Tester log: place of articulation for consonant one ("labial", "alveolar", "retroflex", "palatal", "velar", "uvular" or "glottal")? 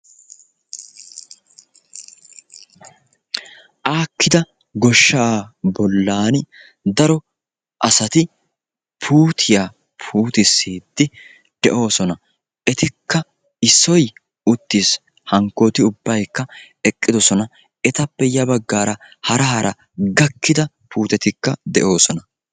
glottal